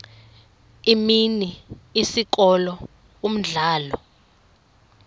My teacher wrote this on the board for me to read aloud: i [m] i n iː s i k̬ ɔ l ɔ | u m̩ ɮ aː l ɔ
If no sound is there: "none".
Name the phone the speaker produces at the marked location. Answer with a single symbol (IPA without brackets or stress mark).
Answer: m